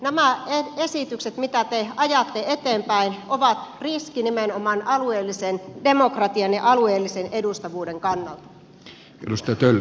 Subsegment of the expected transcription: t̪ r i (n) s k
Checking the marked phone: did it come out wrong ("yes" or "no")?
yes